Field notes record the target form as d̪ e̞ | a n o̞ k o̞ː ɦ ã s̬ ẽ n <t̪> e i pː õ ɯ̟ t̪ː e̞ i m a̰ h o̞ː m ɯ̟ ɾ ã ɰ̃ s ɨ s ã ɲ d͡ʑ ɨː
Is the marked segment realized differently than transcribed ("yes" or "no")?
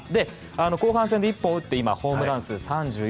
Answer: yes